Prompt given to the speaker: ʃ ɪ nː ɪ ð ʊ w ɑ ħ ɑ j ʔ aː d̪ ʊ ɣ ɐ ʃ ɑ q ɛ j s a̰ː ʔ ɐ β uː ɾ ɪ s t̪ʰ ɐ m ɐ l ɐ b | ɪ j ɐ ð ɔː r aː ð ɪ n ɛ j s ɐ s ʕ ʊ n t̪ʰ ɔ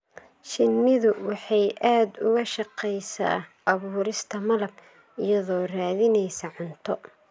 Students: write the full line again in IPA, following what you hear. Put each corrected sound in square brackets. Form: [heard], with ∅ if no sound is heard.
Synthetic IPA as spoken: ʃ ɪ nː ɪ ð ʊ w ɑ ħ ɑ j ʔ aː d̪ ʊ ɣ ɐ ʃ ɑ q ɛ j s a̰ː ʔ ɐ β uː ɾ ɪ s t̪ʰ ɐ m ɐ l ɐ b | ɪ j ɐ ð ɔː r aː ð ɪ n ɛ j s ɐ [∅] ʕ ʊ n t̪ʰ ɔ